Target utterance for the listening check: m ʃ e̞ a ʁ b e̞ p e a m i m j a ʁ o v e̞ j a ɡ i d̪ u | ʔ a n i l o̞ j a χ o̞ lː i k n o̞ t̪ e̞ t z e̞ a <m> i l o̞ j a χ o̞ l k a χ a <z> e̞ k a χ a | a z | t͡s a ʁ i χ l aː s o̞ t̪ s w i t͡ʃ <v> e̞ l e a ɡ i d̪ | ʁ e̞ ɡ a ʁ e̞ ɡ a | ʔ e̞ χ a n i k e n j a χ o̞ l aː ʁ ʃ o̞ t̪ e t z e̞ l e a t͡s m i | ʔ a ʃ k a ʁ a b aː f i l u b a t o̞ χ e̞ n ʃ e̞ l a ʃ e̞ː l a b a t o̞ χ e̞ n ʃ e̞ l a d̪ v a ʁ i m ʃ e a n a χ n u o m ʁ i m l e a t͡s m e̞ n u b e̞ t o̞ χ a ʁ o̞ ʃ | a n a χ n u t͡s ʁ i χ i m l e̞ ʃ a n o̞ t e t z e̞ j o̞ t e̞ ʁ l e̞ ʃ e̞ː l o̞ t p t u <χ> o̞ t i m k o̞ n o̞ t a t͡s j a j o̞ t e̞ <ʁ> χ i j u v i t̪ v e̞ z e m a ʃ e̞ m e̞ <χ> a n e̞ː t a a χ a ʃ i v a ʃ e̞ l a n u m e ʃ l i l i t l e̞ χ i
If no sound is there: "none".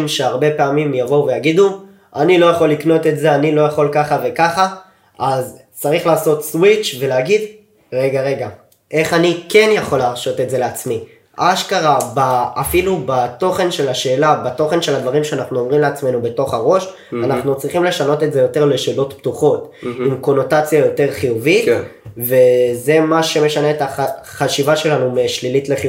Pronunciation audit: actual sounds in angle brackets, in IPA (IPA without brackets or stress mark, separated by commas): n, v, v, χ, ʁ, ʃ